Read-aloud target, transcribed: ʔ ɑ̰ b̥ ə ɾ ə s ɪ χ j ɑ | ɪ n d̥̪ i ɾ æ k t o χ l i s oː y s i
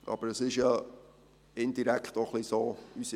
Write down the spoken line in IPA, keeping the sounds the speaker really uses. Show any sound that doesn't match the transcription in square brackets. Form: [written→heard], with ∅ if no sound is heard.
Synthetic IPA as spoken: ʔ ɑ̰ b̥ ə ɾ ə s ɪ [χ→ʃ] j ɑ | ɪ n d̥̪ i ɾ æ k t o χ l i s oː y s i